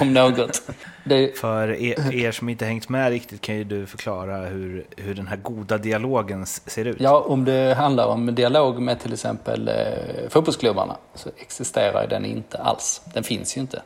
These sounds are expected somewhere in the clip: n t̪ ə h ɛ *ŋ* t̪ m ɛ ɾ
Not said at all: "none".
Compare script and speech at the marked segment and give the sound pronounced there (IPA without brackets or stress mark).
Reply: ŋ